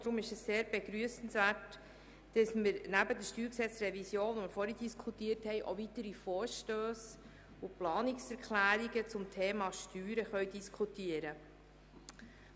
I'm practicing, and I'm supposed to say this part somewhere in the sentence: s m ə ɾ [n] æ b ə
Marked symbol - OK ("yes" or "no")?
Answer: yes